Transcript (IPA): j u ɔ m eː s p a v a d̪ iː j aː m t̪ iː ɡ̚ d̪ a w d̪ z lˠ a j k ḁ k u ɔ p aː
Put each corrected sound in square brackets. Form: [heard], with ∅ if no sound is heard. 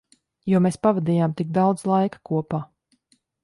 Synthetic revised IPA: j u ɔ m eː s p a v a d̪ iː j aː m t̪ [i] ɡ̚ d̪ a w d̪ z lˠ a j k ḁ k u ɔ p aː